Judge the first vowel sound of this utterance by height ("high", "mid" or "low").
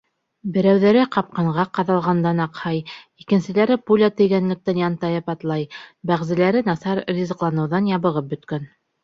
mid